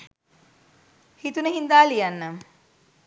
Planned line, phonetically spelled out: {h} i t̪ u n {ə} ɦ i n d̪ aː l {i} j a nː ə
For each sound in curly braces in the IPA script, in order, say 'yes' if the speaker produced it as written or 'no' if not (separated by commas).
yes, yes, yes